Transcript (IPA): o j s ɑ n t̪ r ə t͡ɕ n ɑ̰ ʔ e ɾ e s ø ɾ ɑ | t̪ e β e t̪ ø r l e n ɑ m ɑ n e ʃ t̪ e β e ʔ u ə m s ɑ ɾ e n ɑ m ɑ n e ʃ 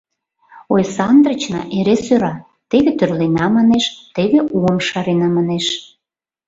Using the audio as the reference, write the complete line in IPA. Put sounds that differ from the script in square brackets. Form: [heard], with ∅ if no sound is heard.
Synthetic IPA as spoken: o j s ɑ n [d̪] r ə t͡ɕ n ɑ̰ ʔ e ɾ e s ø ɾ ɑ | t̪ e β e t̪ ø r l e n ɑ m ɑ n e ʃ t̪ e β e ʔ u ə m [ʃ] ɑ ɾ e n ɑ m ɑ n e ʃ